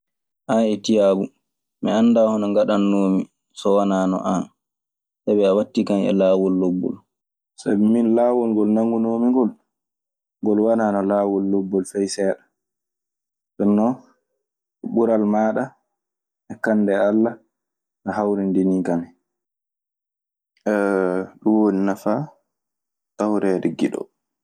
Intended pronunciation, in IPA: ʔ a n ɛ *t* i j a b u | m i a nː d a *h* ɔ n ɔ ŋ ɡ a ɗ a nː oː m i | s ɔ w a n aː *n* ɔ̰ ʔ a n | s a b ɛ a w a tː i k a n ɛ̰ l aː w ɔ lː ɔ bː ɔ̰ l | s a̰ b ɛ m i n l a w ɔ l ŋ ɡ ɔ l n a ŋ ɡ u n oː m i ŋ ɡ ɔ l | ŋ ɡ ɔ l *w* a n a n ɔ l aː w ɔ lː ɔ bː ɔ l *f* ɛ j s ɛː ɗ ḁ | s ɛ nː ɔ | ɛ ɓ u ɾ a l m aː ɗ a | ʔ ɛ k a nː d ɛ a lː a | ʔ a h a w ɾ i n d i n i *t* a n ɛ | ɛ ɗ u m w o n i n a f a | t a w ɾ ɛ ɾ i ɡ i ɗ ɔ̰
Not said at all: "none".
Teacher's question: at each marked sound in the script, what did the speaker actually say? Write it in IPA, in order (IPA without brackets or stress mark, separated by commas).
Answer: t, h, n, w, f, k